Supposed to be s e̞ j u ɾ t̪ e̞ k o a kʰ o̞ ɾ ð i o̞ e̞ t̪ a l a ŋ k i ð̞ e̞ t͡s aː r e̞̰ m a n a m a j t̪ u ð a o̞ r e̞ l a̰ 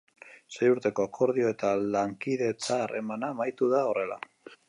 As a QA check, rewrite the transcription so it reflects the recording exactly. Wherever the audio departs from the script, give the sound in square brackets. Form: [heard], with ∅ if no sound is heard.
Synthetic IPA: s e̞ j u ɾ t̪ e̞ k o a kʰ o̞ ɾ ð i o̞ e̞ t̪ a l a ŋ k i ð̞ e̞ t͡s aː r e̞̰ m a n a m a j t̪ u ð a o̞ r e̞ l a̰